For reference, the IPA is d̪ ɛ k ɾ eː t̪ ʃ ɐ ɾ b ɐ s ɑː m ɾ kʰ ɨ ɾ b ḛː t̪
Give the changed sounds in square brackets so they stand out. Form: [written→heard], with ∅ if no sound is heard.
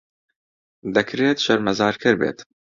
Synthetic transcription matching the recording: d̪ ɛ k ɾ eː t̪ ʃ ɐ ɾ [b→m] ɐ [s→z] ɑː [m→∅] ɾ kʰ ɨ ɾ b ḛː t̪